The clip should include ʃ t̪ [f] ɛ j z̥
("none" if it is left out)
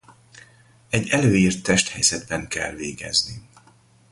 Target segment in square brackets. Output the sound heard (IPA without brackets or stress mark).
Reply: h